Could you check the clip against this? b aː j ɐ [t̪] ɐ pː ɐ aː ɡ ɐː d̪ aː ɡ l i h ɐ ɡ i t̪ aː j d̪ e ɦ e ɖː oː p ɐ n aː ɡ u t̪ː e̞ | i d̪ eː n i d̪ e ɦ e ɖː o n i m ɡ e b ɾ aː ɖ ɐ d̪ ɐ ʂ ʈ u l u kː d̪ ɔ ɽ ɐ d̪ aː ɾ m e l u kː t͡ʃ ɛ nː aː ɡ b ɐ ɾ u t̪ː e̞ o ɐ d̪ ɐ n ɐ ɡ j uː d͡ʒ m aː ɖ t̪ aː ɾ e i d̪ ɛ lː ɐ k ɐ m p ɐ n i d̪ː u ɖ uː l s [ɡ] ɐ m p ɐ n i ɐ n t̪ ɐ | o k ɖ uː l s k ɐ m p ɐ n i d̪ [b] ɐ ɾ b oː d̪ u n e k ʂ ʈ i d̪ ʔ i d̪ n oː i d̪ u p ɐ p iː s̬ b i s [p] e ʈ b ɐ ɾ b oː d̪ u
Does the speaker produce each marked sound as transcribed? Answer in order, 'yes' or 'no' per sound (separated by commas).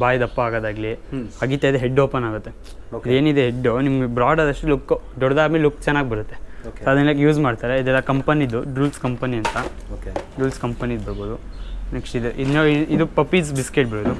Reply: no, no, yes, no